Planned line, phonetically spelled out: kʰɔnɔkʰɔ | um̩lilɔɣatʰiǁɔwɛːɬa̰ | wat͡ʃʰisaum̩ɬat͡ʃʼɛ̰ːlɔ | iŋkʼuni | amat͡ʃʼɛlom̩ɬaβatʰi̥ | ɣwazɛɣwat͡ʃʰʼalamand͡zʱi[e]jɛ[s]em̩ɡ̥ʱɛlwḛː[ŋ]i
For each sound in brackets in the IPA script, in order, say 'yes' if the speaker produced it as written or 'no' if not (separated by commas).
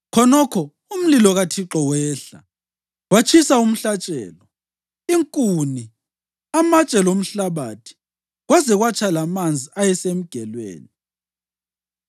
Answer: no, yes, no